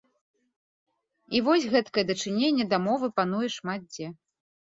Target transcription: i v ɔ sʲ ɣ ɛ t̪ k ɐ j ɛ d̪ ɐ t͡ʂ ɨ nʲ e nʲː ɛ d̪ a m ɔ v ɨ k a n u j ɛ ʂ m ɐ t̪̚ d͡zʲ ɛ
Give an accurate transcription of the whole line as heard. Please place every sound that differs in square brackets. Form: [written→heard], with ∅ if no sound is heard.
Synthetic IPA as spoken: i v ɔ sʲ ɣ ɛ t̪ k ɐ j ɛ d̪ ɐ t͡ʂ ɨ nʲ e nʲː ɛ d̪ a m ɔ v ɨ [k→p] a n u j ɛ ʂ m [ɐ→a] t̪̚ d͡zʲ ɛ